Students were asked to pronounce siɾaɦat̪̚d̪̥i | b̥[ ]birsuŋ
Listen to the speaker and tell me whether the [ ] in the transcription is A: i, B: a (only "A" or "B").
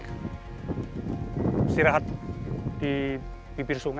A